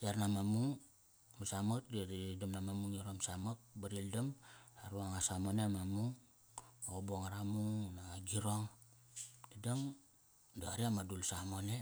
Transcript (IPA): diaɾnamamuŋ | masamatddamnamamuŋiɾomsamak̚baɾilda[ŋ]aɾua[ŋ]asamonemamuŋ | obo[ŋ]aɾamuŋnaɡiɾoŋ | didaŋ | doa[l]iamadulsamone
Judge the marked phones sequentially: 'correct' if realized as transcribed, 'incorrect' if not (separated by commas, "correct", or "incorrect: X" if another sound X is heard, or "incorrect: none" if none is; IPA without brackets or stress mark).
incorrect: m, correct, correct, incorrect: ɾ